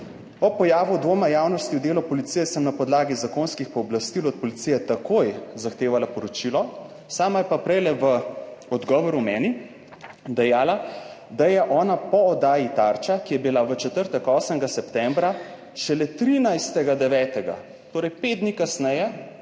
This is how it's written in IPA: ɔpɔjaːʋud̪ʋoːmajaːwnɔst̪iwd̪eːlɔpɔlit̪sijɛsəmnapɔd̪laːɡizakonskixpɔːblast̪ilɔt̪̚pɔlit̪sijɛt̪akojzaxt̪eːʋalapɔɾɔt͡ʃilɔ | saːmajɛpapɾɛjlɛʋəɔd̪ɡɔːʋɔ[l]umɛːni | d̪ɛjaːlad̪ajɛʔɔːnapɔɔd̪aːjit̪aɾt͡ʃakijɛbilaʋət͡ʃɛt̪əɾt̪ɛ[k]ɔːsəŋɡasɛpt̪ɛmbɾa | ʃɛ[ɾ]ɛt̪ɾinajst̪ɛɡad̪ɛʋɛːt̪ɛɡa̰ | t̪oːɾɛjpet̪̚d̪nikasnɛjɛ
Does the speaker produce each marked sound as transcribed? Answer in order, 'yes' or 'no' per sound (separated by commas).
no, yes, no